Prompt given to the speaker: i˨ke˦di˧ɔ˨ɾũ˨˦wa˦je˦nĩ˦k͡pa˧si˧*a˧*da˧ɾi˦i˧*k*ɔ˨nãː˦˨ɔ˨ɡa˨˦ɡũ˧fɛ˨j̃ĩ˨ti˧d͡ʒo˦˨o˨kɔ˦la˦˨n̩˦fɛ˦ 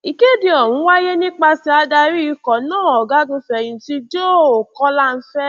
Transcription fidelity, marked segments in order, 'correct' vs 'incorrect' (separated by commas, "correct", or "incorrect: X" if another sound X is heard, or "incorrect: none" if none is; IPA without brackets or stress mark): correct, correct